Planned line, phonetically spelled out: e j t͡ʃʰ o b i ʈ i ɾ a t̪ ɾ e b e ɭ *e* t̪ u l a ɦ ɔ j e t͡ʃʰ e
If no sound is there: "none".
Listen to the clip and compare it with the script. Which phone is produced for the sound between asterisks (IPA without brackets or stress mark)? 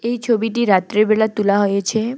a